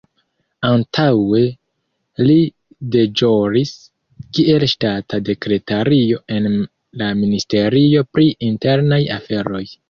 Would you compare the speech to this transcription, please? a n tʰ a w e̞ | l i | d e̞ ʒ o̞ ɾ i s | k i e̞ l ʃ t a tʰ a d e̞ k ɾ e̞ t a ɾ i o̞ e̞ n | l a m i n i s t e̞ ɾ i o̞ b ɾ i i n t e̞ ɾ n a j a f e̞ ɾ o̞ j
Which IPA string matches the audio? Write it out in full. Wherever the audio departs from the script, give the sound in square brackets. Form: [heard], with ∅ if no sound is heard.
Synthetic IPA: a n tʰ a w e̞ | l i | d e̞ [d͡ʒ] o̞ ɾ i s | k i e̞ l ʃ t a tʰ a d e̞ k ɾ e̞ t a ɾ i o̞ e̞ n | l a m i n i s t e̞ ɾ i o̞ [p] ɾ i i n t e̞ ɾ n a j a f e̞ ɾ o̞ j